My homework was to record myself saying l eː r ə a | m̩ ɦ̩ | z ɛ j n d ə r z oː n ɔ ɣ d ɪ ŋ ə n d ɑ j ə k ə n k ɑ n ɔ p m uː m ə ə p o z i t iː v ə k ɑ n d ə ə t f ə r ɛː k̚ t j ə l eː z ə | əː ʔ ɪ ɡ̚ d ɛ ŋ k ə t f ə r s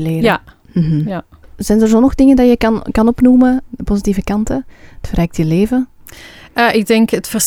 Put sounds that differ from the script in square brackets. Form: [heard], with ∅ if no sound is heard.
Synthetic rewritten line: l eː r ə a | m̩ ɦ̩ | z ɛ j n d ə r z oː n ɔ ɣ d ɪ ŋ ə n d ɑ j ə k [ɑ] n k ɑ n ɔ p [n] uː m ə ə p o z i t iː v ə k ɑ n [t] ə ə t f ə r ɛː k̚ t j ə l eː [v] ə | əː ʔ ɪ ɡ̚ d ɛ ŋ k ə t f ə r s